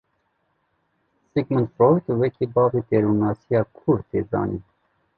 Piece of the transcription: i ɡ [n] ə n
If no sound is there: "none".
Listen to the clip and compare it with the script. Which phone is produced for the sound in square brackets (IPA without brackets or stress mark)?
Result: m